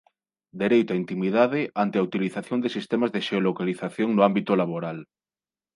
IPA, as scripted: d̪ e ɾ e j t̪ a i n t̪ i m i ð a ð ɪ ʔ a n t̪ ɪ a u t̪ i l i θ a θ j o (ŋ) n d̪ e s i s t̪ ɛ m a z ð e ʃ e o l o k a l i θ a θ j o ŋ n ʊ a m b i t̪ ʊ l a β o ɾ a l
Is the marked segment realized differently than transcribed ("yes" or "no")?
yes